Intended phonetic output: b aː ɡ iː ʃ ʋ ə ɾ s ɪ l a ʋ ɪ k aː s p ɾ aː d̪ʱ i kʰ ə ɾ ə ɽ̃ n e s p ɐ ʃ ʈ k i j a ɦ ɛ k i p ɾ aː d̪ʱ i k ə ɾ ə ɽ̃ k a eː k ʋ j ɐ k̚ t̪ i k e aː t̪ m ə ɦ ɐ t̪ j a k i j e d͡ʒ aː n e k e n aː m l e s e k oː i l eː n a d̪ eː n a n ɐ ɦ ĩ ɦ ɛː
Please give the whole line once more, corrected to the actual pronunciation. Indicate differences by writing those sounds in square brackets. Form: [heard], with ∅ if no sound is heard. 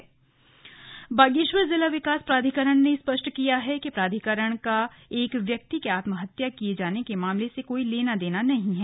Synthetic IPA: b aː ɡ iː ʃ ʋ ə ɾ [z] ɪ l a ʋ ɪ k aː s p ɾ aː d̪ʱ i [k] ə ɾ ə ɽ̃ n e s p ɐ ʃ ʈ k i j a ɦ ɛ k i p ɾ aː d̪ʱ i k ə ɾ ə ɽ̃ k a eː k ʋ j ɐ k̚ t̪ i k e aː t̪ m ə ɦ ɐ t̪ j a k i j e d͡ʒ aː n e k e [m] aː m l e s e k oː i l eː n a d̪ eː n a n ɐ ɦ ĩ ɦ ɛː